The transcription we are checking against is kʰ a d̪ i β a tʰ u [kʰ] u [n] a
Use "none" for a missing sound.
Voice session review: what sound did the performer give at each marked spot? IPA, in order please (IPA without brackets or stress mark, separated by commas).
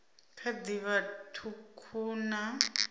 kʰ, n